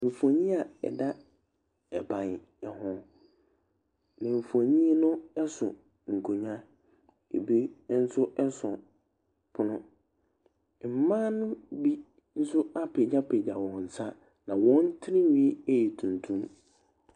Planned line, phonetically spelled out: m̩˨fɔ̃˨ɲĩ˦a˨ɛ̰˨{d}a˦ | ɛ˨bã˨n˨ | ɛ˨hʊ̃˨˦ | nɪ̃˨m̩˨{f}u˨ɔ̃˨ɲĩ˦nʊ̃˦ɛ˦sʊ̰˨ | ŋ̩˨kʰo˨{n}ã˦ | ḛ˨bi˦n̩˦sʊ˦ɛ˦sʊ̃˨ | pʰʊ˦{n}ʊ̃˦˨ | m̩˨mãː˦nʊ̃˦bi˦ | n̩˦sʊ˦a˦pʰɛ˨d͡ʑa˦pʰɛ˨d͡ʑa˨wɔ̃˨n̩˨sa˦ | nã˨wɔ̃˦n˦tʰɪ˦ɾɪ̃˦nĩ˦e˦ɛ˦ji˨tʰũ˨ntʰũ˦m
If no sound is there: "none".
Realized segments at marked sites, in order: d, f, ɲ, n

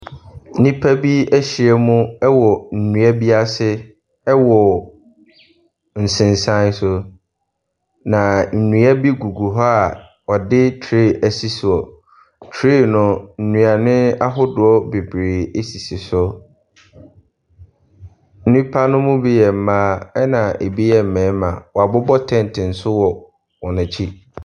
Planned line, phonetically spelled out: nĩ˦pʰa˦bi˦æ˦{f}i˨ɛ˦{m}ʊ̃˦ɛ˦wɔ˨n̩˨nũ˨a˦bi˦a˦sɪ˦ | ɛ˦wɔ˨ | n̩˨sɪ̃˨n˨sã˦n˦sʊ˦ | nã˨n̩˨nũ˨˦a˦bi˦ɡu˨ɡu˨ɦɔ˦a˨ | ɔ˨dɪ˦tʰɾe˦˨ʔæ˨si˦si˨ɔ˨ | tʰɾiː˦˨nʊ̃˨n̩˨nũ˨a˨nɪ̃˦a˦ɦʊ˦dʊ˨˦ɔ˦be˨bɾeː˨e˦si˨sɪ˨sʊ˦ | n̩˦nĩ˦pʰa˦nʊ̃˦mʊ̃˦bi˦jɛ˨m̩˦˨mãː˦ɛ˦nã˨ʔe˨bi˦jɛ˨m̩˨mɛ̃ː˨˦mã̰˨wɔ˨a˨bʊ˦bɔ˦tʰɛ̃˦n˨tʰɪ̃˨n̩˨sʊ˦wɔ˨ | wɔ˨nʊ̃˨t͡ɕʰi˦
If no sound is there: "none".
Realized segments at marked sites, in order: ɕ, m

